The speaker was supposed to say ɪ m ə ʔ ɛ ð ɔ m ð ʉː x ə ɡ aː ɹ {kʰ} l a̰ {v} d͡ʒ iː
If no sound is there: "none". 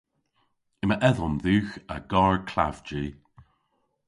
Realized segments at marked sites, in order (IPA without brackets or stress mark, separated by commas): kʰ, v